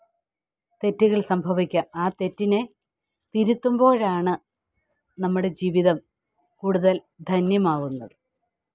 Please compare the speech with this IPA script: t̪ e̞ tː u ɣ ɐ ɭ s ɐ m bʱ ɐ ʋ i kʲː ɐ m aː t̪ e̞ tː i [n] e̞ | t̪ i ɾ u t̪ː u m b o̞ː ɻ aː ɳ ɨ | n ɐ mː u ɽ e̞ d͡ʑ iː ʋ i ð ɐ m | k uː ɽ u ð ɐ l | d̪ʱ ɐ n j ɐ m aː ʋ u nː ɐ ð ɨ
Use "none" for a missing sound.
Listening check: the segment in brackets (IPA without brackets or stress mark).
n